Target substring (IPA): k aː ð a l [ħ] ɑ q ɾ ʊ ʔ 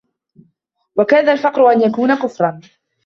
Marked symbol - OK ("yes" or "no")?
no